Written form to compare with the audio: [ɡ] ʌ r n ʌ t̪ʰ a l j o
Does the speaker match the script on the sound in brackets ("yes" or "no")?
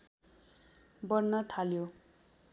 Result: no